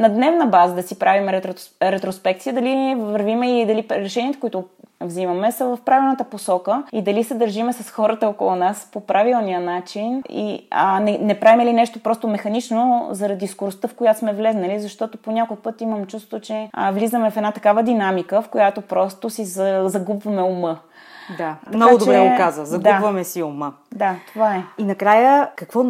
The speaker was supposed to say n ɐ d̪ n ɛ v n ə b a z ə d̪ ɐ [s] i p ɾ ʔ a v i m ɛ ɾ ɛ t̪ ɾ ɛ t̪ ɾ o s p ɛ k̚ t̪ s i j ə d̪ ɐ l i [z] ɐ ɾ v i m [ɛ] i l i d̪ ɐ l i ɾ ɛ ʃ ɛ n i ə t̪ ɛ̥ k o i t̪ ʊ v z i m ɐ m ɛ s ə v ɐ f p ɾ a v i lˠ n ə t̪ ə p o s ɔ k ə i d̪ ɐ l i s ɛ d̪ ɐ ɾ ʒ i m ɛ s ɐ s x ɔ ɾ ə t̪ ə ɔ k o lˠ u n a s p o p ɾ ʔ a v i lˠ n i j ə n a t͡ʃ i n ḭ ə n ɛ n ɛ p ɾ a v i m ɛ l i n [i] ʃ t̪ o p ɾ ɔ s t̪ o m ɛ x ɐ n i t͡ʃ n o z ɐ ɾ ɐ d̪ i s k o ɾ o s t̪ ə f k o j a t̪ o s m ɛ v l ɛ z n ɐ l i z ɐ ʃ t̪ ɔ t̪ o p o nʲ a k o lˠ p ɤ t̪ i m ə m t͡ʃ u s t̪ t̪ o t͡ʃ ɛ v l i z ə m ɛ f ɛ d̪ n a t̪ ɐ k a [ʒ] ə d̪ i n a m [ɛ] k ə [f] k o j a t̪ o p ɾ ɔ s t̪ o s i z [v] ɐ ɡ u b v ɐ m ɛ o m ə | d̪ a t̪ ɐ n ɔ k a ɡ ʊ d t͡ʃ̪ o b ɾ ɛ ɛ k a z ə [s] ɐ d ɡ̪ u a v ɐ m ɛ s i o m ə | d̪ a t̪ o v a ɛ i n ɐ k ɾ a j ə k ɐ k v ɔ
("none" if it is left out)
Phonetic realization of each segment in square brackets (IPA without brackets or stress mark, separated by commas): s, v, ɛ, ɛ, v, i, f, z, z